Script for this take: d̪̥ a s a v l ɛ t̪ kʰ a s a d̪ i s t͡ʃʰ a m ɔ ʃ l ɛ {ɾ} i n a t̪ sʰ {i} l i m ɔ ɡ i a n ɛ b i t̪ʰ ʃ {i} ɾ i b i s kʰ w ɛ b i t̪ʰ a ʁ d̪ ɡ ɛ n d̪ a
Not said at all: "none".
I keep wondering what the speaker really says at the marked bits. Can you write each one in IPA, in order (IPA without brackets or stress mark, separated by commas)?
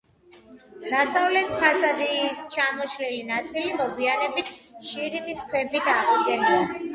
l, i, i